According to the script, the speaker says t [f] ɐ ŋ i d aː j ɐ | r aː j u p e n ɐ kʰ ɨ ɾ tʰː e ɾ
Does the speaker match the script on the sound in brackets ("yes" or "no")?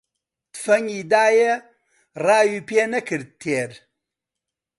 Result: yes